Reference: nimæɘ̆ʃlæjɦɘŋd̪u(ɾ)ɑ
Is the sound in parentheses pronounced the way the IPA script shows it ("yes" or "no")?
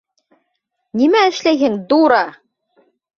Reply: yes